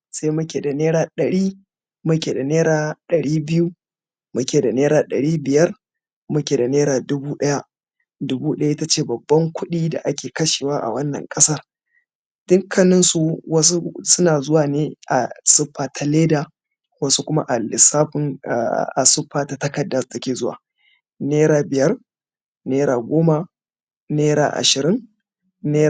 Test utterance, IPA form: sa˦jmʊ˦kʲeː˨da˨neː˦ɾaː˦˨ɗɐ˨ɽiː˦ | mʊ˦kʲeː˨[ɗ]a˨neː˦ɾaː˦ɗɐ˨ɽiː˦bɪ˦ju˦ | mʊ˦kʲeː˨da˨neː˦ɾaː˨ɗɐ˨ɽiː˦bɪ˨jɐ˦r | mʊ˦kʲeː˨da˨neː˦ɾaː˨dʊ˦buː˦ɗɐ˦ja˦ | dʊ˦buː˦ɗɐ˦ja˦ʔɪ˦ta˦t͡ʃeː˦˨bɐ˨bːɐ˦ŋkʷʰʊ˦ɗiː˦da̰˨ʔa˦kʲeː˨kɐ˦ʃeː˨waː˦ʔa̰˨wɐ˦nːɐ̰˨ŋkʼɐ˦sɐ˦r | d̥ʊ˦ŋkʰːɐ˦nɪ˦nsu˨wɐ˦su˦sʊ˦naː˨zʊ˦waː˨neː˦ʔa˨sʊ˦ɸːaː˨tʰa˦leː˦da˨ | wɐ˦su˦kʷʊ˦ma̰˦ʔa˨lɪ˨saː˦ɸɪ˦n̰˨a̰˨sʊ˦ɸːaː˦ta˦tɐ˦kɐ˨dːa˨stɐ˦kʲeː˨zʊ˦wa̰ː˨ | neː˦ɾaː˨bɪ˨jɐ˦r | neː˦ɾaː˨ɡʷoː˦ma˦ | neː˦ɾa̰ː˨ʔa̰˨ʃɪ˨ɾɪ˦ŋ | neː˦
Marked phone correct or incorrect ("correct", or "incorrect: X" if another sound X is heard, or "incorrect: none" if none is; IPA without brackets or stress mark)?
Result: incorrect: d